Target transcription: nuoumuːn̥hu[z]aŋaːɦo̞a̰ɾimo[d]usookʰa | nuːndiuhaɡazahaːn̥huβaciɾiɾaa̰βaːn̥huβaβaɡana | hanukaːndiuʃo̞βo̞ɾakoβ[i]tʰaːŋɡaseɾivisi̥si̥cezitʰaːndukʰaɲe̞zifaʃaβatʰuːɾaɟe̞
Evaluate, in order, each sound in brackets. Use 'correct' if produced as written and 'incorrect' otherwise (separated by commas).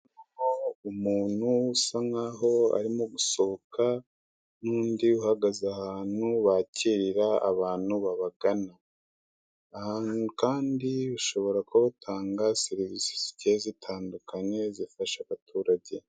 incorrect, incorrect, incorrect